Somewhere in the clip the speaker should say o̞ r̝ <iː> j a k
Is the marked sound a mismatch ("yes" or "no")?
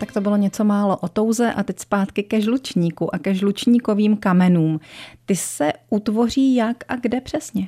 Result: no